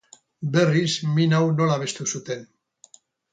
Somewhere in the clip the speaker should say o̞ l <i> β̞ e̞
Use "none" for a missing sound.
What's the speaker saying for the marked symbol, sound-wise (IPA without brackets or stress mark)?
a